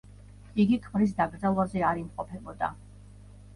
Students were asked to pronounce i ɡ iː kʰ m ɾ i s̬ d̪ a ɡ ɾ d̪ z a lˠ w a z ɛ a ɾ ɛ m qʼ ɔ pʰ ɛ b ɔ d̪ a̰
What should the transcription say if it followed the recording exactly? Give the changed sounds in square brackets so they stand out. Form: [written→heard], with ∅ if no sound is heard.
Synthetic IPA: i ɡ [iː→i] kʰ m ɾ i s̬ d̪ a ɡ ɾ d̪ z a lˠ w a z ɛ a ɾ [ɛ→i] m qʼ ɔ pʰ ɛ b ɔ d̪ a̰